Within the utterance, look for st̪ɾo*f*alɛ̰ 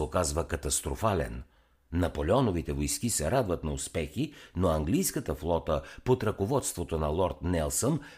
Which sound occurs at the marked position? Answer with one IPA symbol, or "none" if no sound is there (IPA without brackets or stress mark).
f